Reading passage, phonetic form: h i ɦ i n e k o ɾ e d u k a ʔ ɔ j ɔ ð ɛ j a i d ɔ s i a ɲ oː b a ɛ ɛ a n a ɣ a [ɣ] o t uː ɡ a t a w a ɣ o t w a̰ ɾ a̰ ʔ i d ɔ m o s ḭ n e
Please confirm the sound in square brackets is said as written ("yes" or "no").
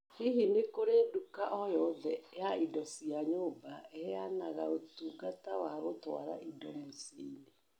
no